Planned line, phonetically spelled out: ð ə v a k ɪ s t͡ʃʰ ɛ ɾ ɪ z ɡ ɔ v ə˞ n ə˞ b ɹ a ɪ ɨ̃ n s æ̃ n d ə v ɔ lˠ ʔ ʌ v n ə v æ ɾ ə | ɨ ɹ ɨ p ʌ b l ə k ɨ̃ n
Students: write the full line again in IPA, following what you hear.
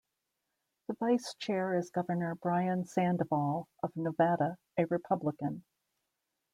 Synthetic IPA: ð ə v a ɪ s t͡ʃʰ ɛ ɹ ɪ z ɡ ʌ v ə˞ n ə˞ b ɹ a ɪ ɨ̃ n s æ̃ n d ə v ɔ lˠ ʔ ʌ v n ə v æ ɾ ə | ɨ ɹ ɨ pʰ ʌ b l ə k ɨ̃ n